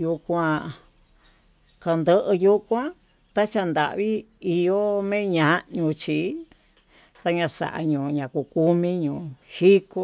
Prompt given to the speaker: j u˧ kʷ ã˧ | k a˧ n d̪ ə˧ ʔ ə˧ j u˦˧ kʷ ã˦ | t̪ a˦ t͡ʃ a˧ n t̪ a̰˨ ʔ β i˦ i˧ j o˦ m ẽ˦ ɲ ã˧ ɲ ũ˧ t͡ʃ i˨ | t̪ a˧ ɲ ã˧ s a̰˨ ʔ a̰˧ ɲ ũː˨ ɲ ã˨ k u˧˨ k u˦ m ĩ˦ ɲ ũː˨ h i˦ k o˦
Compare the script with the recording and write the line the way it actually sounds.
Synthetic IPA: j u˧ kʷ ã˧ | k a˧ n d̪ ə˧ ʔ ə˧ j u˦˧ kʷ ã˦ | t̪ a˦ t͡ʃ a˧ n d̪ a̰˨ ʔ β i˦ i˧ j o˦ m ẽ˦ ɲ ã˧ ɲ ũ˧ t͡ʃ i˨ | t̪ a˧ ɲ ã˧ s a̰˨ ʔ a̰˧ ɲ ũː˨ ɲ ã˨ k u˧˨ k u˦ m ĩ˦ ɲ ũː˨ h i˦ k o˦

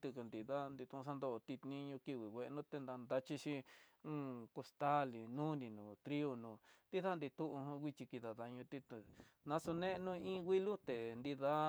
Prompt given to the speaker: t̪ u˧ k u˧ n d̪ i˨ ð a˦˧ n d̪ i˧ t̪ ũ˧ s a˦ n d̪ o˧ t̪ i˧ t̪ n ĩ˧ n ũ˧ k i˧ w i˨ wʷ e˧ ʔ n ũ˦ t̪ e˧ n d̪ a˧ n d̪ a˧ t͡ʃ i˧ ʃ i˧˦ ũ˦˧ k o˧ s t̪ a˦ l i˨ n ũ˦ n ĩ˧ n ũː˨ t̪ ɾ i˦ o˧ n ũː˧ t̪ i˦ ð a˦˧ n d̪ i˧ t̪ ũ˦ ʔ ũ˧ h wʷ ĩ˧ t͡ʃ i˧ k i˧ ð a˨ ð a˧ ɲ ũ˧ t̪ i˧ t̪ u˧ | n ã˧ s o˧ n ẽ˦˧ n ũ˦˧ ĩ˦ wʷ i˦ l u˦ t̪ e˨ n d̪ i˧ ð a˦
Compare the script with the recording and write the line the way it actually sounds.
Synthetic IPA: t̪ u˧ k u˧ n d̪ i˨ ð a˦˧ n d̪ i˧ t̪ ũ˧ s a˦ n d̪ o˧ t̪ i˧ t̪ n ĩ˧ ɲ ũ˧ k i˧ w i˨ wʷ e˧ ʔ n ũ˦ t̪ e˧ n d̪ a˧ n d̪ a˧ t͡ʃ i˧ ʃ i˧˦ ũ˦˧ k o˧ s t̪ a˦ l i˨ n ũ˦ n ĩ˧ n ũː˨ t̪ ɾ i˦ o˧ n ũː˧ t̪ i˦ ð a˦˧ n d̪ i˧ t̪ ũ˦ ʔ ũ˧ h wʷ i˧ t͡ʃ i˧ k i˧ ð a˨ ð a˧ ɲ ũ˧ t̪ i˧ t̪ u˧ | n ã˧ s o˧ n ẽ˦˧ n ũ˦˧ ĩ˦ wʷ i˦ l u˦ t̪ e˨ n d̪ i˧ ð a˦

